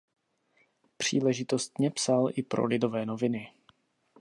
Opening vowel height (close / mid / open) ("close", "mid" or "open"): close